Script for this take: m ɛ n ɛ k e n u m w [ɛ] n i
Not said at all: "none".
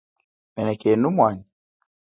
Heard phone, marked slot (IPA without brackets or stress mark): a